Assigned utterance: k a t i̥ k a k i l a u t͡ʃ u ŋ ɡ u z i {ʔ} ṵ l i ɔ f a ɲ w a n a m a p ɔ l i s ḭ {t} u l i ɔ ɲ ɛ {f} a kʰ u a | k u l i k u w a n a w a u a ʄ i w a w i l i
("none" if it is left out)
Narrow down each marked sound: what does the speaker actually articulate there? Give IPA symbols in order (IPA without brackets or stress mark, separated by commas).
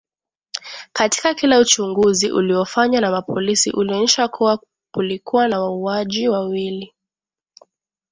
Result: ʔ, ʔ, ʃ